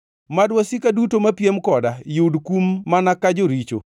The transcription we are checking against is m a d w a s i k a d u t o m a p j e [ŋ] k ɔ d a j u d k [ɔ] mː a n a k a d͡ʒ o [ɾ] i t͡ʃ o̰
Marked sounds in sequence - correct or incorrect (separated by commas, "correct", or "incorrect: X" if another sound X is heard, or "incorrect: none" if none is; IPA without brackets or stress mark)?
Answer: incorrect: m, incorrect: u, correct